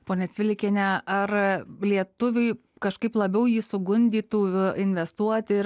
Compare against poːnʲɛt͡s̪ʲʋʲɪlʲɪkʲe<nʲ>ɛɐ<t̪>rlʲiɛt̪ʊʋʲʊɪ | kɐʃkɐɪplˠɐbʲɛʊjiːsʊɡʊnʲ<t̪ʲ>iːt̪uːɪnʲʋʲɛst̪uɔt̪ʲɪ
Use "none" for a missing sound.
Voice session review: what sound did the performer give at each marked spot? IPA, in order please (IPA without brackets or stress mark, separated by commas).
nʲ, none, d̪ʲ